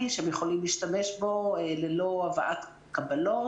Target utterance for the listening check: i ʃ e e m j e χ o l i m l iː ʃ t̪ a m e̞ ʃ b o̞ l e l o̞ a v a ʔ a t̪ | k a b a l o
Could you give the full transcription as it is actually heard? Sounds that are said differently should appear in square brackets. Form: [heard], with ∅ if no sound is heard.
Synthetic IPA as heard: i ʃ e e m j e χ o l i m l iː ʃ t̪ a m e̞ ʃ b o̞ l e l o̞ a v a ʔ a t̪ | k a b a l o